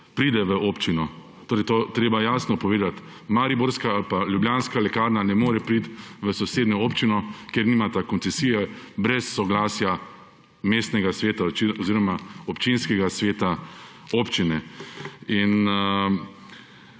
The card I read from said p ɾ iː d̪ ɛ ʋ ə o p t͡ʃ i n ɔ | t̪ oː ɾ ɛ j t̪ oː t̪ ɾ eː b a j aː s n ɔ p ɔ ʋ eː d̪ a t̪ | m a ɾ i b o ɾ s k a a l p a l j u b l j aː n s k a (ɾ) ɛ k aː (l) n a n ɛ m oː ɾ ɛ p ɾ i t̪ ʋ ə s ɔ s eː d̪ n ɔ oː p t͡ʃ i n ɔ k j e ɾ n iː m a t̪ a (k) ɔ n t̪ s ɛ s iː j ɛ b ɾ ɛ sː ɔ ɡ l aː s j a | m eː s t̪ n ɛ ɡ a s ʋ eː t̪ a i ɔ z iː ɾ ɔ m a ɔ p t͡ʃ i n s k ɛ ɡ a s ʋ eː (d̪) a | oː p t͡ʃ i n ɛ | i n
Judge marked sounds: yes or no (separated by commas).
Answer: no, no, yes, no